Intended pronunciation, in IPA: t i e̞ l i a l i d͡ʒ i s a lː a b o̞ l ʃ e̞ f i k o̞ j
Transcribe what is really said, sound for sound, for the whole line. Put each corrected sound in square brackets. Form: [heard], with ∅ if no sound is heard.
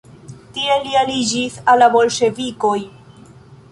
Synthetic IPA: t i e̞ l i a l i d͡ʒ i s a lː a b o̞ l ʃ e̞ [v] i k o̞ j